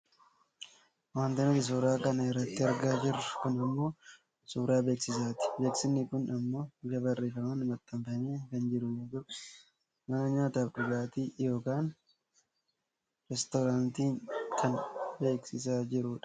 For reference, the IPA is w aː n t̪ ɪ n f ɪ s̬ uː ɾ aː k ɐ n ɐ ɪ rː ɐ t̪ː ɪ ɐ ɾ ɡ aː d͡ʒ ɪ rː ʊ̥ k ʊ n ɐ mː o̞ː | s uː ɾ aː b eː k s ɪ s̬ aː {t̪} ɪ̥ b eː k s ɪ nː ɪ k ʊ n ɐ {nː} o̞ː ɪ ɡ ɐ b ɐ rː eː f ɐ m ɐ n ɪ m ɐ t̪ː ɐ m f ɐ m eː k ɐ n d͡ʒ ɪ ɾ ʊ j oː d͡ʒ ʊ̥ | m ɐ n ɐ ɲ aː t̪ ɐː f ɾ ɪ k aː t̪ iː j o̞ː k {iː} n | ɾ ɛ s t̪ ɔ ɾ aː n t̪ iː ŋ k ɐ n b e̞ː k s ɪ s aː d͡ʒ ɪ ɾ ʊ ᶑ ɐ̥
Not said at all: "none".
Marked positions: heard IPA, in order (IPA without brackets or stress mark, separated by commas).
t̪, mː, aː